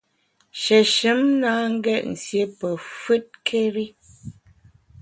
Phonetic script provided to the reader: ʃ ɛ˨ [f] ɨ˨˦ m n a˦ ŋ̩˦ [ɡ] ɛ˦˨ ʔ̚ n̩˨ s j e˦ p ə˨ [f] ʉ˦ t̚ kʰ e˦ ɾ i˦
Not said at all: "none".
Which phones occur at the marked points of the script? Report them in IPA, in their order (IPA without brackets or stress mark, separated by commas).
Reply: ʃ, ɡ, f